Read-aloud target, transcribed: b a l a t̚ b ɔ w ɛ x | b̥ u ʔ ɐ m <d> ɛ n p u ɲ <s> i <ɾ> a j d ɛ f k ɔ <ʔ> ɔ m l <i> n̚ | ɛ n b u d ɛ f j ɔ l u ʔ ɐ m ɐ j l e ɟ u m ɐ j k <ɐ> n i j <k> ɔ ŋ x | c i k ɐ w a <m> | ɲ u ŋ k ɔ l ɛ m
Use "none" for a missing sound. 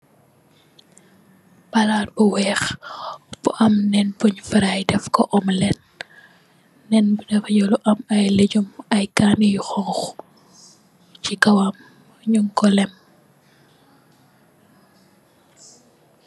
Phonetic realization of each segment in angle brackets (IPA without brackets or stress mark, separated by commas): n, f, ɾ, ʔ, ɛ, a, x, m